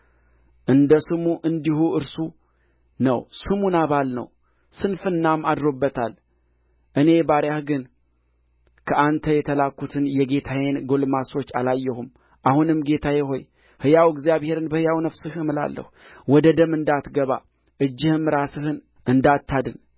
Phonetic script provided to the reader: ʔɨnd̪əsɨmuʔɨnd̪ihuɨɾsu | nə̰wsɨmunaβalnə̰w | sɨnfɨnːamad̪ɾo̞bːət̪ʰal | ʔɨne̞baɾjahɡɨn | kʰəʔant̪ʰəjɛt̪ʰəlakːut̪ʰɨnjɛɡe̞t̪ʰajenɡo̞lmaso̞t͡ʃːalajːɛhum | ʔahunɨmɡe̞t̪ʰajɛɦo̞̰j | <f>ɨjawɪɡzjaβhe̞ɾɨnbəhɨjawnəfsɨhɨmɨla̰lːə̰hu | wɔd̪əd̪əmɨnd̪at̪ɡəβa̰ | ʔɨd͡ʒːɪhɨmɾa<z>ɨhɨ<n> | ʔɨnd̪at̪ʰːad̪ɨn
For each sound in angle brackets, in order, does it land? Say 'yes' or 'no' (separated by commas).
no, no, yes